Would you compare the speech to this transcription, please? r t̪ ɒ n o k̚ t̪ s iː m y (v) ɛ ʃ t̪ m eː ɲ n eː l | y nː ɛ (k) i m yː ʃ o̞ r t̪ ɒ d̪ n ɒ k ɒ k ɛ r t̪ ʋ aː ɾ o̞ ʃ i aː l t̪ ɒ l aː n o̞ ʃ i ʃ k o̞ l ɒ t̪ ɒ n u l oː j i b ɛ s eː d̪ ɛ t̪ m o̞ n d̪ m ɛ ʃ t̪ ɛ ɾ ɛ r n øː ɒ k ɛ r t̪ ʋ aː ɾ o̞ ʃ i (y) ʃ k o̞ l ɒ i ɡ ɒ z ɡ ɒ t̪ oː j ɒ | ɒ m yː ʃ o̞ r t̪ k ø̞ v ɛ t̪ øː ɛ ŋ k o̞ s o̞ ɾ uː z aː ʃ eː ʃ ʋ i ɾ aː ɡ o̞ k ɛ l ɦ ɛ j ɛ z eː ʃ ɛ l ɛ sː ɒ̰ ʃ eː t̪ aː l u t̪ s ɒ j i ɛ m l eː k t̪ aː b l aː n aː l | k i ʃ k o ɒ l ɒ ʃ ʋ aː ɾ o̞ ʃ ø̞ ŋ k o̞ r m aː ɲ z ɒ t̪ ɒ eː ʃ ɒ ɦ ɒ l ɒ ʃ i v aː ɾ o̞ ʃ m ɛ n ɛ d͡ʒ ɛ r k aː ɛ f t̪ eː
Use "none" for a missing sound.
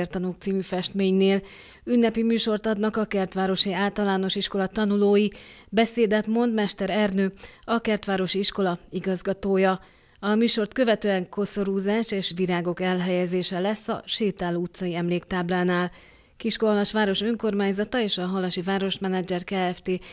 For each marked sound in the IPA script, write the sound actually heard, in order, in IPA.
f, p, i

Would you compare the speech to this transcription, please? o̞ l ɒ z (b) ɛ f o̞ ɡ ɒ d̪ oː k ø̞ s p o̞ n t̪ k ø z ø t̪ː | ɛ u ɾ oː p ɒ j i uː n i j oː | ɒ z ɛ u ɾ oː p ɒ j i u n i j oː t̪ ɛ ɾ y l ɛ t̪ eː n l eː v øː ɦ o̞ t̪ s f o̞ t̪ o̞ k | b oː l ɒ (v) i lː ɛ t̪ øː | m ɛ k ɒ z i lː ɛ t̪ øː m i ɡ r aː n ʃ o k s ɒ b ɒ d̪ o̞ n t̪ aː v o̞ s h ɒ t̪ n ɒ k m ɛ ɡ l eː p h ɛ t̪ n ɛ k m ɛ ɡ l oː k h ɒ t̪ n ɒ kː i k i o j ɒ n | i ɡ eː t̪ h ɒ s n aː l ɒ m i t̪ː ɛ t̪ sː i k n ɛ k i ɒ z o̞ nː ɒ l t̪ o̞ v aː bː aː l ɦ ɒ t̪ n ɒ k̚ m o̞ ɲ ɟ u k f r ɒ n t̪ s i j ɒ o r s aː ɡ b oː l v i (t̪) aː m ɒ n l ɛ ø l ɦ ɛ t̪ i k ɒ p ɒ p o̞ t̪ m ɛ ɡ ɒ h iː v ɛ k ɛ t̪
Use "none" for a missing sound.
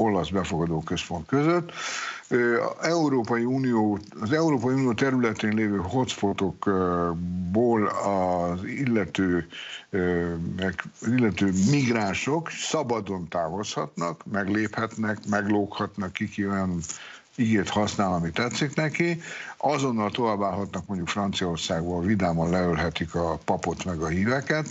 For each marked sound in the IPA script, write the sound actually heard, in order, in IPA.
b, z, d̪

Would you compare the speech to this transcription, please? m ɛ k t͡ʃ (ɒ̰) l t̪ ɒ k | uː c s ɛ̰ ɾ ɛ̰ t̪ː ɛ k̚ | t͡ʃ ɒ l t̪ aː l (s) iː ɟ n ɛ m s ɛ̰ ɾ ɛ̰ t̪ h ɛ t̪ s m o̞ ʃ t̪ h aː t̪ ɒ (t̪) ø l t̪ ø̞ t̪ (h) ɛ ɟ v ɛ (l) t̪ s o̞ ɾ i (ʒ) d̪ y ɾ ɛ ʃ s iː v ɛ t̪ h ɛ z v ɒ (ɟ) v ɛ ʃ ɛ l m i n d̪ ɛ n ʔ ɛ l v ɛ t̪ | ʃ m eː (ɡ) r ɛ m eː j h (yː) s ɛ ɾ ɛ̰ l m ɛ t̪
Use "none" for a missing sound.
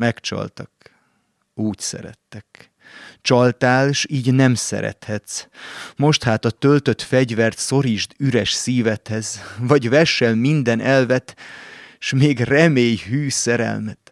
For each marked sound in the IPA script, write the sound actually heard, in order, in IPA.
ɒ̰, ʃ, t̪, f, r, ʒ, ɟ, ɡ, yː

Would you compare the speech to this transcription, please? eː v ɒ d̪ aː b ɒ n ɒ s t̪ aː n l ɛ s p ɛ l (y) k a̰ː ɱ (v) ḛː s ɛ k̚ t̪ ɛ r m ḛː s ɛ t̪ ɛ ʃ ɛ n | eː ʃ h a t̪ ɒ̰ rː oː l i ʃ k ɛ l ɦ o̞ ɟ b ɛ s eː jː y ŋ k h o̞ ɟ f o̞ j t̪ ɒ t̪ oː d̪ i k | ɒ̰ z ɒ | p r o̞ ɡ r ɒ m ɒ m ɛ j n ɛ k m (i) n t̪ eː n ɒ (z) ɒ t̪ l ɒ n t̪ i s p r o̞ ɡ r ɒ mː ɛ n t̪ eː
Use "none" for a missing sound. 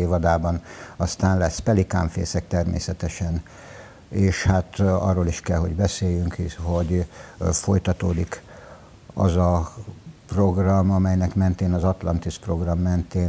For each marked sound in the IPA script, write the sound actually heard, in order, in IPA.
i, f, ɛ, z

